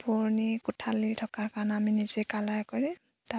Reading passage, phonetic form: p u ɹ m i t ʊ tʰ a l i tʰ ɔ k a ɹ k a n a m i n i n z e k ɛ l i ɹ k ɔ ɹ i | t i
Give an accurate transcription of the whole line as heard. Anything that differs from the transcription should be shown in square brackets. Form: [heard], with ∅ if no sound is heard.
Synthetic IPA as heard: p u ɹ [n] i [k] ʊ tʰ a l i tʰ ɔ k a ɹ k a n a m i n i [∅] z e k [a] l [a] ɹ k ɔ ɹ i | t [a]